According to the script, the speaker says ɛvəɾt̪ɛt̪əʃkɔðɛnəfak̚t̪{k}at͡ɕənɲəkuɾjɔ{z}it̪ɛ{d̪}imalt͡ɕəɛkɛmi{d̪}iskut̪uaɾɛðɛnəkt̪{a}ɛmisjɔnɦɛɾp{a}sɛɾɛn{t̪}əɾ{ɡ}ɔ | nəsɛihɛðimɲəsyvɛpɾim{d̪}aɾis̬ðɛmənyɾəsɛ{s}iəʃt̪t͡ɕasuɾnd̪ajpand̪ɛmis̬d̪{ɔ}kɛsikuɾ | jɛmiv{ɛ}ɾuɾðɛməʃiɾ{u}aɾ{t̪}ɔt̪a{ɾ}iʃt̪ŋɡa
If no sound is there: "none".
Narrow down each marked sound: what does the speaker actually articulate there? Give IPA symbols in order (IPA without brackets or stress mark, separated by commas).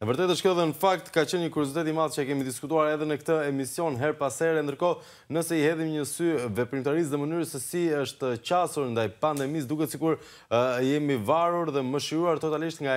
k, z, t̪, d̪, ə, a, d̪, k, t̪, s, u, a, u, t̪, l